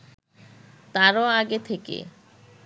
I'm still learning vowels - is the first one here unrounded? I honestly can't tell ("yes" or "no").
yes